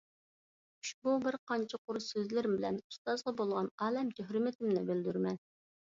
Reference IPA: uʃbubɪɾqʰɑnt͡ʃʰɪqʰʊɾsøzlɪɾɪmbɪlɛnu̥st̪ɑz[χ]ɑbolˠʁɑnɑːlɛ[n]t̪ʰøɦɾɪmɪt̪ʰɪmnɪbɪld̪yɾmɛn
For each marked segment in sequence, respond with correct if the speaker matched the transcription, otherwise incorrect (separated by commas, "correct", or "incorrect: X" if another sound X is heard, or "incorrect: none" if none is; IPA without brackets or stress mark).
incorrect: ʁ, incorrect: m